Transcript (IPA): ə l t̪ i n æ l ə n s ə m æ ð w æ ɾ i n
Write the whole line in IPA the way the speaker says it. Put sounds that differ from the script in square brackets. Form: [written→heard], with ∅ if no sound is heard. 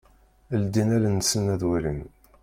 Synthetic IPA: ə l [t̪→d̪] i n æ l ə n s ə [m→n] æ ð w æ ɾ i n